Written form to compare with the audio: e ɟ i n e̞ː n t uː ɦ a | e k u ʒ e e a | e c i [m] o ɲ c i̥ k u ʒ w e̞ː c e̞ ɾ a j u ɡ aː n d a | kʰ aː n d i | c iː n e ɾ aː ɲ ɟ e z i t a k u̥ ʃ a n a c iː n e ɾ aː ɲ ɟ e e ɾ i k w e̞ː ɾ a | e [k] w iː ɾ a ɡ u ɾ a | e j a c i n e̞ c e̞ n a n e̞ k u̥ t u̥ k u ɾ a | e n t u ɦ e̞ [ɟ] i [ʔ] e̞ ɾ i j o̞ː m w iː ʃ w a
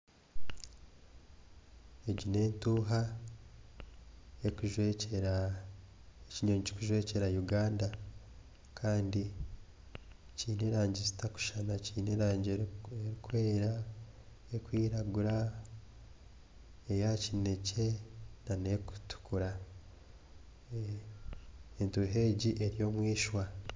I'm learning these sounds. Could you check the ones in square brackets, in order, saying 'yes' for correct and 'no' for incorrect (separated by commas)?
no, yes, yes, yes